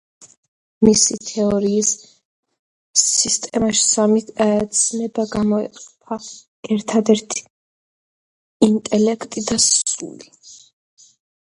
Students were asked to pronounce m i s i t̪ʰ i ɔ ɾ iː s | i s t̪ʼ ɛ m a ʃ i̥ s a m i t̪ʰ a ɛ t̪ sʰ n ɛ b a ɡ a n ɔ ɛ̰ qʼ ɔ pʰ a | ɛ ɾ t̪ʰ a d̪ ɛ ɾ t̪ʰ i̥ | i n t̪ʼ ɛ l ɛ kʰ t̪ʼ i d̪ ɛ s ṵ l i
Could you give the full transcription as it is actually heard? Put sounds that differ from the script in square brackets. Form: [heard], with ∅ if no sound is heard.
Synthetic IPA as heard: m i s i t̪ʰ [ɛ] ɔ ɾ iː s | i s t̪ʼ ɛ m a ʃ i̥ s a m i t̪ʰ a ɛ t̪ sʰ n ɛ b a ɡ a [m] ɔ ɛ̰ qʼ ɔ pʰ a | ɛ ɾ t̪ʰ a d̪ ɛ ɾ t̪ʰ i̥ | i n t̪ʼ ɛ l ɛ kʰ t̪ʼ i d̪ [a] s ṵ l i